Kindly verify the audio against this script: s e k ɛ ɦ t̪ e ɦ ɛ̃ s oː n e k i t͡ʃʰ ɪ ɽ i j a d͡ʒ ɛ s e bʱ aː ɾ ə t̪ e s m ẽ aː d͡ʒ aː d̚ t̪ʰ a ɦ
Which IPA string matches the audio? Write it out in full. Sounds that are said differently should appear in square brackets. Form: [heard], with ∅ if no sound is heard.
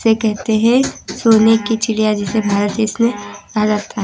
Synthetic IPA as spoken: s e k ɛ ɦ t̪ e ɦ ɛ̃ s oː n e k i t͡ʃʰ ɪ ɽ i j a d͡ʒ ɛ s e bʱ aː ɾ ə t̪ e s m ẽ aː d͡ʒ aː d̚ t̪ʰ a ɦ